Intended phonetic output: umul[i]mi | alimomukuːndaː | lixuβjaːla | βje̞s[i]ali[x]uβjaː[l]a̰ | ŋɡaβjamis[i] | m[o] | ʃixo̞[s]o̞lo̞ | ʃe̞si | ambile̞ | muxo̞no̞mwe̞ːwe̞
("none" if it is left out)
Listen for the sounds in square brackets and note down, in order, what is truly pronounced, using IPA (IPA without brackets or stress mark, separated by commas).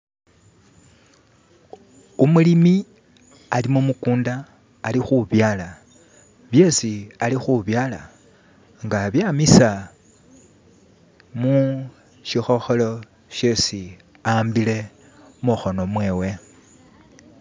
i, i, x, l, a, u, x